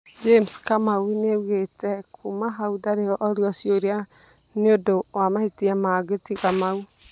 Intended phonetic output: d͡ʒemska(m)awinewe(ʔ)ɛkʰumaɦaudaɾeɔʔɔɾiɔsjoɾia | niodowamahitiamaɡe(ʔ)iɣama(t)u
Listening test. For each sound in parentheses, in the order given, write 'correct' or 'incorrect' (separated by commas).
correct, incorrect, incorrect, incorrect